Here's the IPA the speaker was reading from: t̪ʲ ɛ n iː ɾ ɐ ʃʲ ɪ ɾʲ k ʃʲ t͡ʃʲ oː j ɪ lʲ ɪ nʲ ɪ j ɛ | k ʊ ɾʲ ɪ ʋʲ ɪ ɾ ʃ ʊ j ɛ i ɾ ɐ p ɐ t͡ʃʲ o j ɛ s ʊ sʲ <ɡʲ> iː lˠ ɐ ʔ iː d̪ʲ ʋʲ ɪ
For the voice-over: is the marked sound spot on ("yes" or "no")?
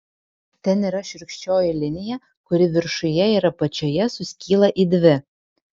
no